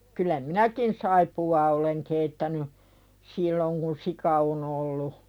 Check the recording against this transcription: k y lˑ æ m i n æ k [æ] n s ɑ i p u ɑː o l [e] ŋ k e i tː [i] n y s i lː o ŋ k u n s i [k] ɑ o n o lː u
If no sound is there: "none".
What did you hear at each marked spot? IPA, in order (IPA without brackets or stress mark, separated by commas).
i, e, æ, k